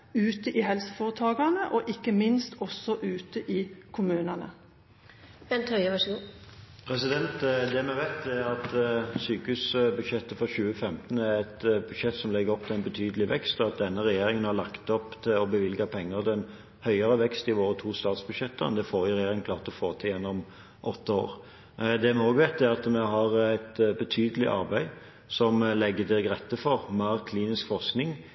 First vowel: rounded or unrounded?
rounded